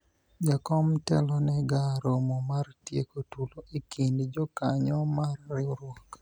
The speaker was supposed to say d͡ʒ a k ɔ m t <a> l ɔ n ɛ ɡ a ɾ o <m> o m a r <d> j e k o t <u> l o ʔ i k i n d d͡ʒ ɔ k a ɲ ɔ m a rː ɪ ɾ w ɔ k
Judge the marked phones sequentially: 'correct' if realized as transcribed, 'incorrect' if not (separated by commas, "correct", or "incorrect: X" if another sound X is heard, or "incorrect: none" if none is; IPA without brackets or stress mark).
incorrect: ɛ, correct, incorrect: t, correct